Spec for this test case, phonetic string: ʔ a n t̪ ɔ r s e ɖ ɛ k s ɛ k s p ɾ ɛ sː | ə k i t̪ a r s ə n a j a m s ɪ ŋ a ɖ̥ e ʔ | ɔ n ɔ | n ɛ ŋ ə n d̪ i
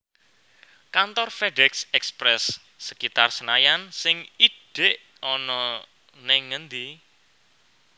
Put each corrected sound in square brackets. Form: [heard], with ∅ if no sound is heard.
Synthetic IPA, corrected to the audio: [k] a n t̪ ɔ r [f] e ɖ ɛ k s ɛ k s p ɾ ɛ sː | ə k i t̪ a r s ə n a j a [n] s ɪ ŋ [i] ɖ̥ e ʔ | ɔ n ɔ | n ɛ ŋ ə n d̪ i